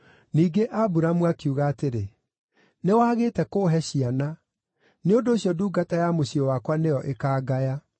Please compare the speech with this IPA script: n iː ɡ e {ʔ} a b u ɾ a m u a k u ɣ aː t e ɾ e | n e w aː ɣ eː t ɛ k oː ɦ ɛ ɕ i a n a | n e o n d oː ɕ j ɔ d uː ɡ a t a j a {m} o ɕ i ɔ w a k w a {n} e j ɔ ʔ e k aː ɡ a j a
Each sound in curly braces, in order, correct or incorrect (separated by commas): correct, correct, correct